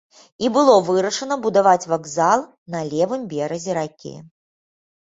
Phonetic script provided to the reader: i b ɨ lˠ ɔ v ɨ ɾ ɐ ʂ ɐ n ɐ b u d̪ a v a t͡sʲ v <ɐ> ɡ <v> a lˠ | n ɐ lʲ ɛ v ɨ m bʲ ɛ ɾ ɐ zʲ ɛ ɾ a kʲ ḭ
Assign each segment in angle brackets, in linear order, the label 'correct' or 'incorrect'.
incorrect, incorrect

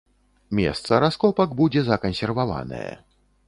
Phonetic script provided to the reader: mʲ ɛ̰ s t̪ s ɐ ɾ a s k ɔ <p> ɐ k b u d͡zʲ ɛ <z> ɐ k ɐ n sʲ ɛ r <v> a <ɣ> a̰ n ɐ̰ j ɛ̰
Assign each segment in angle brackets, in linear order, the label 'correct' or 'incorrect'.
correct, correct, correct, incorrect

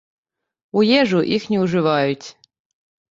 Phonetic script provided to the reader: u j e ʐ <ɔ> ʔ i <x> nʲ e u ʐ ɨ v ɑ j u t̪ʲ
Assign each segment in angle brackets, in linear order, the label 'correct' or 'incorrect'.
incorrect, correct

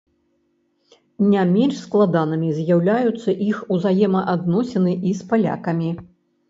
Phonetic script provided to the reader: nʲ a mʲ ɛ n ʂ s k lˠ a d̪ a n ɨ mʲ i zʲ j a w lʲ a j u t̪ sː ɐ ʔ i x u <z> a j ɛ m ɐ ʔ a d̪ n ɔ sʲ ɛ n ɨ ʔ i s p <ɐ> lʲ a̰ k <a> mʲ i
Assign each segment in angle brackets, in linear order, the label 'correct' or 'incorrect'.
correct, incorrect, incorrect

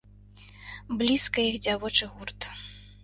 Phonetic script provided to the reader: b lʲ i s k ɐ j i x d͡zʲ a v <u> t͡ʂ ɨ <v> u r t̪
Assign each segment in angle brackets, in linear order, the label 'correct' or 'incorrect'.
incorrect, incorrect

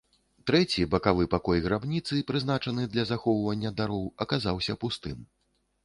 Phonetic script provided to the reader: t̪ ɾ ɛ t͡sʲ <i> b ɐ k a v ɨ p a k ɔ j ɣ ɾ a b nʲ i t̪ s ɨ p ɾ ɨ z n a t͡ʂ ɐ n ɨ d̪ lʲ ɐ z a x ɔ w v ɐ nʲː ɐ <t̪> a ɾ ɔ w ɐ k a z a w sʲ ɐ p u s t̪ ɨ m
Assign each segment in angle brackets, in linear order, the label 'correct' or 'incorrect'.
correct, incorrect

